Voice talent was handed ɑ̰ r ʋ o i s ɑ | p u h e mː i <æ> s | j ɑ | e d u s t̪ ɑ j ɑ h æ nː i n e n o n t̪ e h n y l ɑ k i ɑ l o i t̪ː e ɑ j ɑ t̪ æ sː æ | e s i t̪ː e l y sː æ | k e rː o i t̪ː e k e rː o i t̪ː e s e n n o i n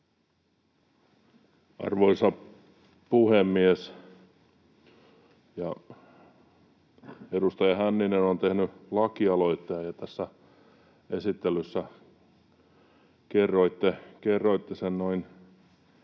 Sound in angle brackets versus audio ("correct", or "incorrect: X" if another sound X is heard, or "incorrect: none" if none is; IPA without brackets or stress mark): incorrect: e